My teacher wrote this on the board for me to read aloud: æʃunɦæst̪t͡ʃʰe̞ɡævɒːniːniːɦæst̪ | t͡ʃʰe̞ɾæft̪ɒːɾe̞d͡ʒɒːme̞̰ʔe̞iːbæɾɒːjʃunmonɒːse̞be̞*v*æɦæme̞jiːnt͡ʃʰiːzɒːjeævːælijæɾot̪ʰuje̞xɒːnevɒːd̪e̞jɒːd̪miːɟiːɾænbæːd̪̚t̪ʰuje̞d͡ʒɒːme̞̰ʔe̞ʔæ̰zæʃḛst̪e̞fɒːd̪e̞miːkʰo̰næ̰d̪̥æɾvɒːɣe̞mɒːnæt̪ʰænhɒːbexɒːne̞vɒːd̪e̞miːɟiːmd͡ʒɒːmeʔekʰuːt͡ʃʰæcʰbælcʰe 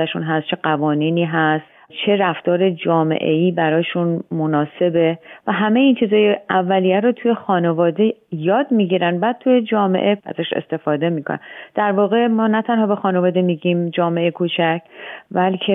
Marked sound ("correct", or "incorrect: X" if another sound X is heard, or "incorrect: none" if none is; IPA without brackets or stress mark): correct